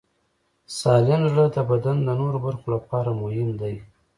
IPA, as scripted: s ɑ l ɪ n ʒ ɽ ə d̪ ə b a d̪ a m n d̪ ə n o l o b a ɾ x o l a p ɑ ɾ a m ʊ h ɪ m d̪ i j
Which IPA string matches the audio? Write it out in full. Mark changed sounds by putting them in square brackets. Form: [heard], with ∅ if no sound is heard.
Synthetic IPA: s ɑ l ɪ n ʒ ɽ ə d̪ ə b a d̪ a [∅] n d̪ ə n o [ɾ] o b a ɾ x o l a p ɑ ɾ a m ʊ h ɪ m d̪ [a] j